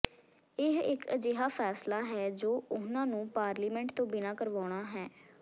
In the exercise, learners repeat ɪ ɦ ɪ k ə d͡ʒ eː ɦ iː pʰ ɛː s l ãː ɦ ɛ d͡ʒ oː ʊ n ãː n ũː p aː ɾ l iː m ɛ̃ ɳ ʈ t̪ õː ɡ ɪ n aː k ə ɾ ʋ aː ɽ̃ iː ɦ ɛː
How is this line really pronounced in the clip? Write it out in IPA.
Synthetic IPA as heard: ɪ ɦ ɪ k ə d͡ʒ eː ɦ aː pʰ ɛː s l aː ɦ ɛː d͡ʒ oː ʊ n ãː n ũː p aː ɾ l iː m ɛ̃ ɳ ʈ t̪ õː b ɪ n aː k ə ɾ ʋ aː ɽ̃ aː ɦ ɛː